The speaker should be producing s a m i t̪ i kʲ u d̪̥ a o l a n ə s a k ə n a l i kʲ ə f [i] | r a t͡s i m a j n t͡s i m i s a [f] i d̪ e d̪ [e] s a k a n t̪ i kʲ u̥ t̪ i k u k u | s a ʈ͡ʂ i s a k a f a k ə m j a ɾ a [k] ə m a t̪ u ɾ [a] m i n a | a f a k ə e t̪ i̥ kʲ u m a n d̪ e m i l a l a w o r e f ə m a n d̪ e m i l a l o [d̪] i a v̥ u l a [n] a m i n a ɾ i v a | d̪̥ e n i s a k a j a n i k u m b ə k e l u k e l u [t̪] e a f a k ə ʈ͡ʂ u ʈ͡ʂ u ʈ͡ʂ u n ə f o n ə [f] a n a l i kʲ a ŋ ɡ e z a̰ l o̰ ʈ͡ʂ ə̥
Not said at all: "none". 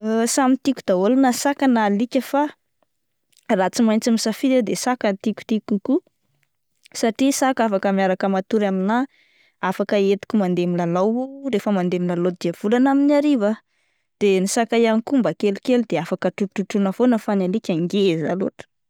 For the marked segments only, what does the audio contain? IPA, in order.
a, f, e, k, a, d̪, n, d̪, f

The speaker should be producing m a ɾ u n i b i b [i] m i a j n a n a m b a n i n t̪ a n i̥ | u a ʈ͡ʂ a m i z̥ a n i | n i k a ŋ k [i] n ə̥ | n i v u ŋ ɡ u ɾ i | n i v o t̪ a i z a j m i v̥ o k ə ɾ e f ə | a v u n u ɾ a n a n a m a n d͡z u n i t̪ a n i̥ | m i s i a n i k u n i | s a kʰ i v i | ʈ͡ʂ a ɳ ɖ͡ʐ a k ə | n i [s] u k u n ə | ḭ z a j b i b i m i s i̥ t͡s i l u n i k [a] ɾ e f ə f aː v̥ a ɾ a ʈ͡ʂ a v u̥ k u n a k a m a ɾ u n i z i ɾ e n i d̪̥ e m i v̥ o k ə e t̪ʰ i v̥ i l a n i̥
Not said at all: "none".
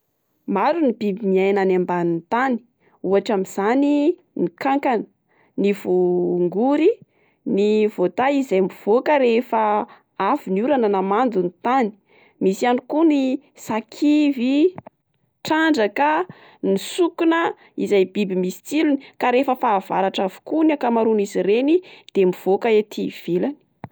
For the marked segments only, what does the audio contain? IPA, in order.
i, a, s, a

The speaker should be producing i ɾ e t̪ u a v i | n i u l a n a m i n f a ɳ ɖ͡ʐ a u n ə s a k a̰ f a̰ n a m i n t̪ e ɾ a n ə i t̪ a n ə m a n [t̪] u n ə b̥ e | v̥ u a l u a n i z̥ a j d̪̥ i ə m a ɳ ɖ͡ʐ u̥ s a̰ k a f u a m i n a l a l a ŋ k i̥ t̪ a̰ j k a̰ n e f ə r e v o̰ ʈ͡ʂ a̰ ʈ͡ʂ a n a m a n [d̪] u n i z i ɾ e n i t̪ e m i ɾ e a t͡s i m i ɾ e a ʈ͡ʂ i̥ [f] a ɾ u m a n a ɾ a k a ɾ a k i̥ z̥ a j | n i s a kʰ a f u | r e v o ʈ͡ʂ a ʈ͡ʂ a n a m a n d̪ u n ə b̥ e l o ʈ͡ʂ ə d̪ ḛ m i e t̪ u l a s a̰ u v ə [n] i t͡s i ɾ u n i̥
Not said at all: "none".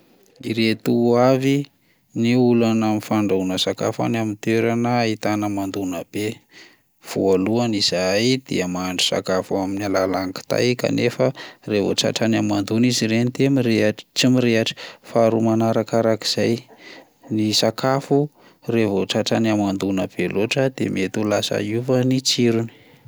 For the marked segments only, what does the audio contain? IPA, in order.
d̪, d̪, f, n

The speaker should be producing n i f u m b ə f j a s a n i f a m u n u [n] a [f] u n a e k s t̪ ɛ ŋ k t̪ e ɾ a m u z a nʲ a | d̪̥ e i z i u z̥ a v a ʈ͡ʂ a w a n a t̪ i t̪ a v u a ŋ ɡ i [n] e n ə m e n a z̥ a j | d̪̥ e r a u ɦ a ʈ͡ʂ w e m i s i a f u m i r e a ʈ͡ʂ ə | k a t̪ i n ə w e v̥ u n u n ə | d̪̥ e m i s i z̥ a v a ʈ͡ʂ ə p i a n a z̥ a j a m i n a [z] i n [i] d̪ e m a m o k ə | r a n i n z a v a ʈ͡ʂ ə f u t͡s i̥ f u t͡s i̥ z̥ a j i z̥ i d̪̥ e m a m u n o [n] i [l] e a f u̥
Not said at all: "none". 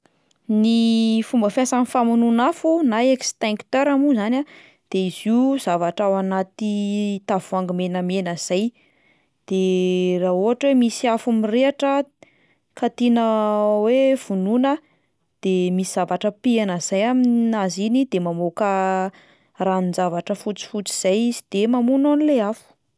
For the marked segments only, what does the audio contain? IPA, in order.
n, f, m, z, i, n, l

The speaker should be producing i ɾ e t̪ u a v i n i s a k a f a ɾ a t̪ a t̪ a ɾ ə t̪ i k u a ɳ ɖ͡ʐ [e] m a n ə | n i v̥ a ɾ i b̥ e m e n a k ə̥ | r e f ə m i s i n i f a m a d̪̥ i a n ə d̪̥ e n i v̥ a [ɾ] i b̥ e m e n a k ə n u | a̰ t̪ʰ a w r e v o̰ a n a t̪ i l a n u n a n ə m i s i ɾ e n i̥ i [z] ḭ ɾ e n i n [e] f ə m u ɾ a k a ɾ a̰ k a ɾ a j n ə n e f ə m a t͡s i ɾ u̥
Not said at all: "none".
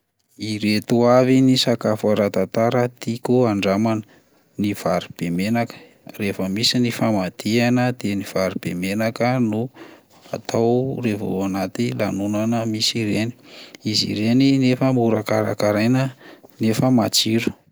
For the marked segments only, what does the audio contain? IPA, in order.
a, ɾ, z, e

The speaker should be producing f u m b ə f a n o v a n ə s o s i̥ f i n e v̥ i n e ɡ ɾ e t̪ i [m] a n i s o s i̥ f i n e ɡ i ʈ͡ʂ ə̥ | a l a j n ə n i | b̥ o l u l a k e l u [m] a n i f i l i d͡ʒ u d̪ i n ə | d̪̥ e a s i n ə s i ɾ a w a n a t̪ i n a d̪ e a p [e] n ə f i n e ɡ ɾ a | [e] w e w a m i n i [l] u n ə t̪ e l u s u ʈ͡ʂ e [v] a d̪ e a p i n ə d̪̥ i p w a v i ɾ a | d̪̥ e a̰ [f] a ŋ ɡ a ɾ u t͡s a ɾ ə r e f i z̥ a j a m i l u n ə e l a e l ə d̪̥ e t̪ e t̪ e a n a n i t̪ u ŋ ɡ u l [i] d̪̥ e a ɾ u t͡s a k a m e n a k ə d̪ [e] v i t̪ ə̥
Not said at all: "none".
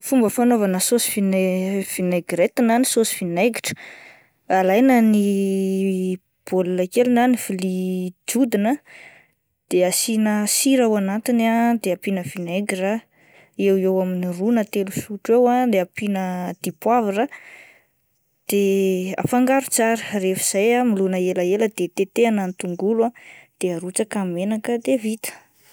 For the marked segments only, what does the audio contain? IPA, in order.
n, n, i, e, r, w, f, a, e

